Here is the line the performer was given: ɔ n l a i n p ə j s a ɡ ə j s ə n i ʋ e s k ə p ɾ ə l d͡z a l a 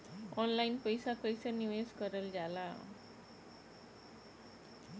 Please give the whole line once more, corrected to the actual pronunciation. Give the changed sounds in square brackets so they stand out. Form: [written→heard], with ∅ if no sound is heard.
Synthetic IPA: ɔ n l a i n p ə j s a [ɡ→k] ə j s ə n i ʋ e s k ə [p→∅] ɾ ə l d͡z a l a